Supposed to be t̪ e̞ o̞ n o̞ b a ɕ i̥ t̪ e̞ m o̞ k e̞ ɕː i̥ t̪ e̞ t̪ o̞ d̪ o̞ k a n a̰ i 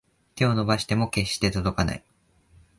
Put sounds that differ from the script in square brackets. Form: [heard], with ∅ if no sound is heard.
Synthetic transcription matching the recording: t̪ e̞ o̞ n o̞ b a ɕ i̥ t̪ e̞ m o̞ k e̞ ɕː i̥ t̪ e̞ t̪ o̞ d̪ o̞ k a n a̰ i